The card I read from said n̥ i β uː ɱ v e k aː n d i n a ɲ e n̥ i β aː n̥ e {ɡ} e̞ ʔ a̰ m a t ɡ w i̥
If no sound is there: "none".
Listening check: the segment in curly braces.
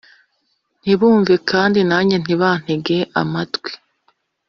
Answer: ɡ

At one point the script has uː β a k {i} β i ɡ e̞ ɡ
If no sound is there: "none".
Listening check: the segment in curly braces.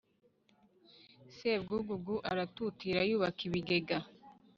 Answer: i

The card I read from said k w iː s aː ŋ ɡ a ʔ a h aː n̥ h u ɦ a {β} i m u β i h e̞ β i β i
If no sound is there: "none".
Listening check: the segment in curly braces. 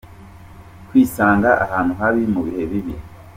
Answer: β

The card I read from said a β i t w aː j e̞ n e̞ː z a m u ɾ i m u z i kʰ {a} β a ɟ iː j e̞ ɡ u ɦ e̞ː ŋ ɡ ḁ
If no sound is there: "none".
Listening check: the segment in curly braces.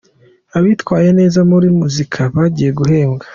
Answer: a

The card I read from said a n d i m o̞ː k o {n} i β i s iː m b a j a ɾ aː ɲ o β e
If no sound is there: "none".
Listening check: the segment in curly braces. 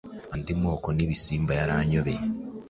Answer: n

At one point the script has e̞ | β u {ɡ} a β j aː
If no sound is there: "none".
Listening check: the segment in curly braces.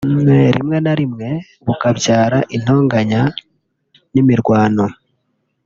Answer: k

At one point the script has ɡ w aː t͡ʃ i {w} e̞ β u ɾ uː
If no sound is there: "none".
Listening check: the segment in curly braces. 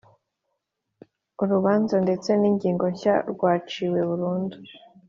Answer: w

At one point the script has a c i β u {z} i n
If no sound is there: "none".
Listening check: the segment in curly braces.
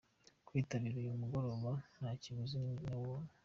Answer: z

